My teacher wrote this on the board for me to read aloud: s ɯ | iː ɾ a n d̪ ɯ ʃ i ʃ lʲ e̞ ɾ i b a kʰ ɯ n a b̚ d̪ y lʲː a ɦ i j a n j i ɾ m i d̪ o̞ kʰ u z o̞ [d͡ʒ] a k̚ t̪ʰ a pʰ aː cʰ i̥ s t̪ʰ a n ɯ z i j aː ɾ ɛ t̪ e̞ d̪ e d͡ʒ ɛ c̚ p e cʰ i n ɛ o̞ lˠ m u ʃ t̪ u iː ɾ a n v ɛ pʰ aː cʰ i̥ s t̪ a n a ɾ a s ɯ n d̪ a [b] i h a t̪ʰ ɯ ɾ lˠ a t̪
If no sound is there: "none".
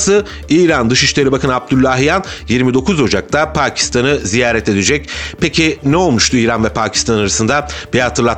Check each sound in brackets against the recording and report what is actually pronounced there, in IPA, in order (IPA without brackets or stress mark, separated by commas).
d͡ʒ, b